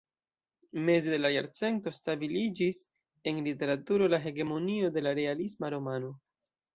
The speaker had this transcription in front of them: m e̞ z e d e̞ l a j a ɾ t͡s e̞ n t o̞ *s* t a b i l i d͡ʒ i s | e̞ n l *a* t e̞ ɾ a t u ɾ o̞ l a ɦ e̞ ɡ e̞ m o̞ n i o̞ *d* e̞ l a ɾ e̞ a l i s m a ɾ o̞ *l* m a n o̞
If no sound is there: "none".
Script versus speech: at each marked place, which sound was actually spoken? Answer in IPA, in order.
s, i, d, none

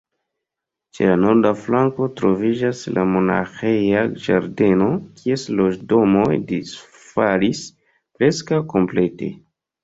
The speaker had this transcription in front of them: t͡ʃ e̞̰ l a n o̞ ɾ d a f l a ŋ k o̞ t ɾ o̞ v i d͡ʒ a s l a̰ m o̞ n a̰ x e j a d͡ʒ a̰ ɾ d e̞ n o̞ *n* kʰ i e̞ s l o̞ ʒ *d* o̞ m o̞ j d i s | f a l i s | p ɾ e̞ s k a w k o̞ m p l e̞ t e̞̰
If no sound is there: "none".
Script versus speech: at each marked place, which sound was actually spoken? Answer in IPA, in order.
none, d

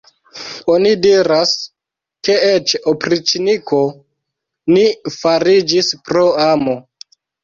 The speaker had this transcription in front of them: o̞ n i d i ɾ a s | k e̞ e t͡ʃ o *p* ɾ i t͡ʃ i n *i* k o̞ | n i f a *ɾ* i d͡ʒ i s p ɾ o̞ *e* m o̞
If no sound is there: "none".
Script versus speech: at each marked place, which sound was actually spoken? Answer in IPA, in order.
p, i, ɾ, a

